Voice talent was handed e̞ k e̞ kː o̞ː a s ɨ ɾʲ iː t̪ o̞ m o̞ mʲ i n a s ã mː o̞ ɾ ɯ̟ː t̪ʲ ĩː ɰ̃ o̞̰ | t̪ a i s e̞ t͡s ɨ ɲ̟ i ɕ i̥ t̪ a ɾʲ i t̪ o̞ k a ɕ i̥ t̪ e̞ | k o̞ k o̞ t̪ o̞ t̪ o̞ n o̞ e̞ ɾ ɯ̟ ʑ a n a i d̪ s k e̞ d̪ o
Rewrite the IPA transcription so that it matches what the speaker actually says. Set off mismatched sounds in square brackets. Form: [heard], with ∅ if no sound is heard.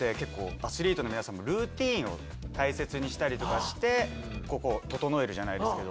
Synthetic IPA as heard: e̞ k e̞ kː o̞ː a s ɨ ɾʲ iː t̪ o̞ [n] o̞ mʲ i n a s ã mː o̞ ɾ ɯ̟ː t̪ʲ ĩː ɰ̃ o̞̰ | t̪ a i s e̞ t͡s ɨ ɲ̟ i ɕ i̥ t̪ a ɾʲ i t̪ o̞ k a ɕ i̥ t̪ e̞ | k o̞ k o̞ t̪ o̞ t̪ o̞ n o̞ e̞ ɾ ɯ̟ ʑ a n a i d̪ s k e̞ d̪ o